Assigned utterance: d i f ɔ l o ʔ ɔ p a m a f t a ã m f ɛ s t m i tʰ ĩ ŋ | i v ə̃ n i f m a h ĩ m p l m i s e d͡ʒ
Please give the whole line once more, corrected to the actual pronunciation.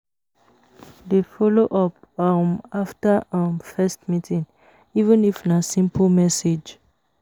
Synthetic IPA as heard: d e f ɔ l o ʔ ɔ p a m a f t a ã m f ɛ s t m i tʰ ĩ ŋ | i v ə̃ n i f n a s ĩ m p l m ɛ s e d͡ʒ

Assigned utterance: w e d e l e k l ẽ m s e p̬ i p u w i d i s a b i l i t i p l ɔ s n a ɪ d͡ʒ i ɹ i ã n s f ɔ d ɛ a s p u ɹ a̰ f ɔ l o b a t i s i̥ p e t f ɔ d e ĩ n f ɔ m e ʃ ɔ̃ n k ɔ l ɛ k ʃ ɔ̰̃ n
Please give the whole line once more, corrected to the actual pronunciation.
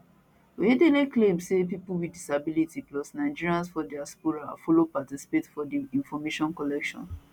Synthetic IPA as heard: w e d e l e k l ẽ m s e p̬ i p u w i d i s a b i l i t i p l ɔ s n a ɪ d͡ʒ i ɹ i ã n s f ɔ d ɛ a s p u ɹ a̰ f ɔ l o p a t i s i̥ p e t f ɔ d i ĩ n f ɔ m e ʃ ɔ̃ n k ɔ l ɛ k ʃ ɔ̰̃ n

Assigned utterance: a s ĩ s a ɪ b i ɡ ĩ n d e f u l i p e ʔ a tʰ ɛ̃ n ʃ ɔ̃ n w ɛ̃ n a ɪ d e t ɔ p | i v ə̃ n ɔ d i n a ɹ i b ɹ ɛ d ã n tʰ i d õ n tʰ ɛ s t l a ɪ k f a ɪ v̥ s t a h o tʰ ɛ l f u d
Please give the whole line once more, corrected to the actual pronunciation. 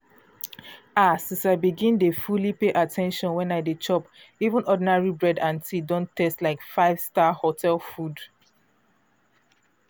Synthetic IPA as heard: a s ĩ s a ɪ b i ɡ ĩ n d e f u l i p e ʔ a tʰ ɛ̃ n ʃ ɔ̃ n w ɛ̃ n a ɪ d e t͡ʃ ɔ p | i v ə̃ n ɔ d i n a ɹ i b ɹ ɛ d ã n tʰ i d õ n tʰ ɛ s t l a ɪ k f a ɪ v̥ s t a h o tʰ ɛ l f u d

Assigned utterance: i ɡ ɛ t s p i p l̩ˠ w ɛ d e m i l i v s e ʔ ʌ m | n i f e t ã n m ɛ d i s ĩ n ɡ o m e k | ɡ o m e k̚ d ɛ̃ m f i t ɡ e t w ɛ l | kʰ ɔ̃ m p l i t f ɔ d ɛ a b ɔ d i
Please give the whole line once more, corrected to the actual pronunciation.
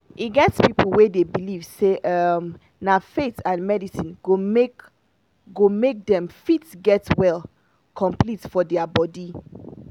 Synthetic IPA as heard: i ɡ ɛ t s p i p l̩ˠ w e d e b i l i v s e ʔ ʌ m | n a f e t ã n m ɛ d i s ĩ n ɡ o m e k | ɡ o m e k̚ d ɛ̃ m f i t ɡ ɛ t w ɛ l | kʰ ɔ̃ m p l i t f ɔ d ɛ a b ɔ d i

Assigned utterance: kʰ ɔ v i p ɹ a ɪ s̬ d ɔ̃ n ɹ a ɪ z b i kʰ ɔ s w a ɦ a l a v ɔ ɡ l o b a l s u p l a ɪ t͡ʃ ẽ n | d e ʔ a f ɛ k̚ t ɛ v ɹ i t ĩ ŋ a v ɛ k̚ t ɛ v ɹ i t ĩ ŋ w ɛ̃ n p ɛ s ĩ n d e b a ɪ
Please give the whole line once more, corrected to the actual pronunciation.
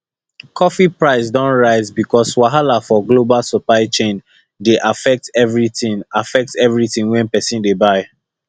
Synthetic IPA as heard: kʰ ɔ f i p ɹ a ɪ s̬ d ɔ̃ n ɹ a ɪ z b i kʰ ɔ s w a ɦ a l a f ɔ ɡ l o b a l s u p l a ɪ t͡ʃ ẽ n | d e ʔ a f ɛ k̚ t ɛ v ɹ i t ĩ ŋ a f ɛ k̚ t ɛ v ɹ i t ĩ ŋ w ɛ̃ n p ɛ s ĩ n d e b a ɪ

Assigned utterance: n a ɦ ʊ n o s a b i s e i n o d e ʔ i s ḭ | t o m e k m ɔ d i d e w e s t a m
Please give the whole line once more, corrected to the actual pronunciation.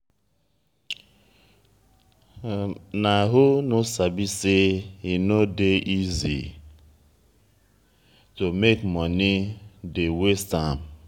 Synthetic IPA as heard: n a ɦ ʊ n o s a b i s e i n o d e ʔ i z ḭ | t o m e k m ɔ n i d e w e s t a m

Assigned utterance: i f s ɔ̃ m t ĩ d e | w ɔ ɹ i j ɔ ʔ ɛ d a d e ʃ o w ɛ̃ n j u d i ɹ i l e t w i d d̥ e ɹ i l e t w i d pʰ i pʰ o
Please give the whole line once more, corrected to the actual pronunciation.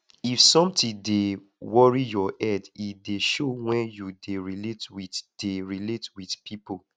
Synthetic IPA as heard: i f s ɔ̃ m t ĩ d e | w ɔ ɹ i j ɔ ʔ ɛ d i d e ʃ o w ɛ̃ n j u d e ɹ i l e t w i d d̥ e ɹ i l e t w i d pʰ i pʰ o

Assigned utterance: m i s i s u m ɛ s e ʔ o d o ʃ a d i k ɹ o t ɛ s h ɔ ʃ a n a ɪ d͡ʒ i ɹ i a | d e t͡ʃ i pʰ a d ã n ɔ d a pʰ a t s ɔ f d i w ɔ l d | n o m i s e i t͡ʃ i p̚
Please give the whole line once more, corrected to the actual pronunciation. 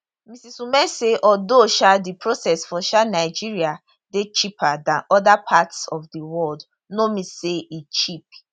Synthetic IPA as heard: m i s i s u m ɛ s e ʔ ɔ d o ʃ a d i p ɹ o s ɛ s f ɔ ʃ a n a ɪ d͡ʒ i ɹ i a | d e t͡ʃ i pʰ a d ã n ɔ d a pʰ a t s ɔ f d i w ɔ l d | n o m i s e i t͡ʃ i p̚

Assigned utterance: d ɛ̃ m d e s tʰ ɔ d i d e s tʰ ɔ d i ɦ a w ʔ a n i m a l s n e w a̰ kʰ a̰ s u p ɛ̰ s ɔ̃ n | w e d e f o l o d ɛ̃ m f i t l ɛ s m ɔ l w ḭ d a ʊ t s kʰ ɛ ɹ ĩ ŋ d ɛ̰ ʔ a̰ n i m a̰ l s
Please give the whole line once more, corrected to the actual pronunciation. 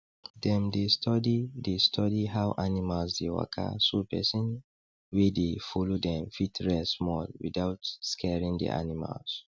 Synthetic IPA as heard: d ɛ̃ m d e s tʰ ɔ d i d e s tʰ ɔ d i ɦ a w ʔ a n i m a l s d e w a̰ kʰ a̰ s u p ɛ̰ s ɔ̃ n | w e d e f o l o d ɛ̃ m f i t ɹ ɛ s m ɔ l w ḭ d a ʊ t s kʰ ɛ ɹ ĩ ŋ d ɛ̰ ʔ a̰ n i m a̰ l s

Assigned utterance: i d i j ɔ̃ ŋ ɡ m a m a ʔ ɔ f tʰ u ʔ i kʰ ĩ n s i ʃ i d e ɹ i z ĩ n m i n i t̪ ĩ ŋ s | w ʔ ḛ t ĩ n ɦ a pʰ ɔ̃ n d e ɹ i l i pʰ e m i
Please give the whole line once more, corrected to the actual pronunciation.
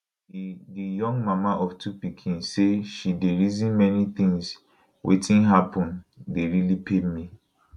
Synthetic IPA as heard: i d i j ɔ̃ ŋ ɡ m a m a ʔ ɔ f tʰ u p i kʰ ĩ n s e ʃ i d e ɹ i z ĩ n m ɛ n i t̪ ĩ ŋ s | w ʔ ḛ t ĩ n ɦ a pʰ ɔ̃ n d e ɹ i l i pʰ e m i

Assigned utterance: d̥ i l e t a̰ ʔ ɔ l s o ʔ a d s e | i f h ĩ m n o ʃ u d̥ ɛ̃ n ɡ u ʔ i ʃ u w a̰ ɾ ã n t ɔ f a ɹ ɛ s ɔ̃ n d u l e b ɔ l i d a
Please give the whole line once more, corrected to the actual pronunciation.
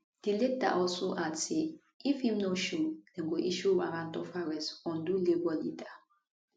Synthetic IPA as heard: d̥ i l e t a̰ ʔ ɔ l s o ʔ a d s e | i f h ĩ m n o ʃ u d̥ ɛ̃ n ɡ o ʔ i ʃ u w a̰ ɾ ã n t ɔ f a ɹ ɛ s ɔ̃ n d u l e b ɔ l i d a

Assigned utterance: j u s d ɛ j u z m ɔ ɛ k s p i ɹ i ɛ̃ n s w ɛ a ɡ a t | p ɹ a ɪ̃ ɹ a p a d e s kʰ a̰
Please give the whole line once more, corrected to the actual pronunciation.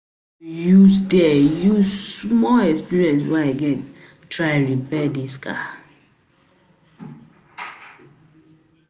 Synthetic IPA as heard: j u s d ɛ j u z m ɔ ɛ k s p i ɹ i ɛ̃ n s w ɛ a ɡ ɛ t | t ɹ a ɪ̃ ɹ i p ɛ d i s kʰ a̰

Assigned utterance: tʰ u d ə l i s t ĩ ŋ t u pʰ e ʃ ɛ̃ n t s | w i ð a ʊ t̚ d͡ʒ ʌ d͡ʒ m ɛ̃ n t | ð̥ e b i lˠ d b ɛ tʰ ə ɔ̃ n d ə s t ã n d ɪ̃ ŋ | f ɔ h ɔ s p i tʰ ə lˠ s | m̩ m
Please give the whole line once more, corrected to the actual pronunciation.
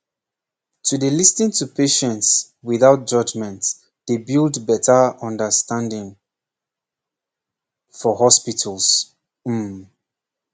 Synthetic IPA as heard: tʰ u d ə l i s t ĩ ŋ t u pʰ e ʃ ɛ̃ n t s | w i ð a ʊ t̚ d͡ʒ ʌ d͡ʒ m ɛ̃ n t | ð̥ e b i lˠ d b ɛ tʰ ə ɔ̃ n d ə s t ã n d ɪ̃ ŋ | f ɔ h ɔ s p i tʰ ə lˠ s | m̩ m

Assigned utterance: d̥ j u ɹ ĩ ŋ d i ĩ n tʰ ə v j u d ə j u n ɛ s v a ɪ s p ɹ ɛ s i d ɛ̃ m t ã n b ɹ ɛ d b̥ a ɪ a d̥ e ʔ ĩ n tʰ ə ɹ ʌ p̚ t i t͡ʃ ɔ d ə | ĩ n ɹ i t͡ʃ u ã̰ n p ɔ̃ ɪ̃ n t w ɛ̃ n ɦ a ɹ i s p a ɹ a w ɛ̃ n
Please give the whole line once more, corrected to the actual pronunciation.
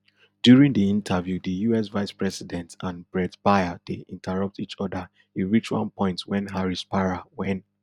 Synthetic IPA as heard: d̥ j u ɹ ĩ ŋ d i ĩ n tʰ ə v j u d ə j u ɛ s v a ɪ s p ɹ ɛ s i d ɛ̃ n t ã n b ɹ ɛ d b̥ a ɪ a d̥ e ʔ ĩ n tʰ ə ɹ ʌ p̚ t i t͡ʃ ɔ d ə | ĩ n ɹ i t͡ʃ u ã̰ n p ɔ̃ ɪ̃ n t w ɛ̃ n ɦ a ɹ i s p a ɹ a w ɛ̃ n

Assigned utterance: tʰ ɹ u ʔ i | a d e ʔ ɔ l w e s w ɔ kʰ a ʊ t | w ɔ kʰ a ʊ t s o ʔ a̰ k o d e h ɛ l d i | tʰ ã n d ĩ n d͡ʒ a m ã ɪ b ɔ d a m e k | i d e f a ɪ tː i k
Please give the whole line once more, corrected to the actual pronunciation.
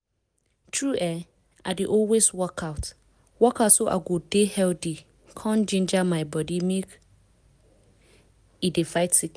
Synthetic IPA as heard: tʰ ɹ u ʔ ɛ | a d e ʔ ɔ l w e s w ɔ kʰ a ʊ t | w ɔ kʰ a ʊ t s o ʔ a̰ ɡ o d e h ɛ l d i | kʰ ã n d͡ʒ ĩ n d͡ʒ a m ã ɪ b ɔ d i m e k | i d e f a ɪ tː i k

